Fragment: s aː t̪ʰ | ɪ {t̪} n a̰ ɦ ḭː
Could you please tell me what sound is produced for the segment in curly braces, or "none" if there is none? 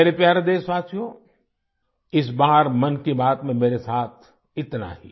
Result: t̪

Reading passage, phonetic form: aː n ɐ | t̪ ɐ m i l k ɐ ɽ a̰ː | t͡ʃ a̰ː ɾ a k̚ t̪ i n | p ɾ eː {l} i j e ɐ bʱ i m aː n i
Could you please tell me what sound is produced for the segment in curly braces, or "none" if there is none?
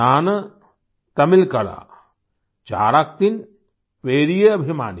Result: ɾ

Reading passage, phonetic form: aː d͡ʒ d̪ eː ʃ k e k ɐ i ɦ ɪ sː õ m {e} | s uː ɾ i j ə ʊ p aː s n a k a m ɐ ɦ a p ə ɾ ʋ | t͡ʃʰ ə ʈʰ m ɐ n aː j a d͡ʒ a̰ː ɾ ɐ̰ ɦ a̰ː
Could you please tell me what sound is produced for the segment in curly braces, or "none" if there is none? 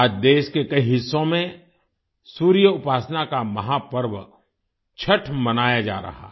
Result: ẽ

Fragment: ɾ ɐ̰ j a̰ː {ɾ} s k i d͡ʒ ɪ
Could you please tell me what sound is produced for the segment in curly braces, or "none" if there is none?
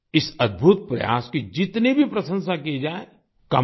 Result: none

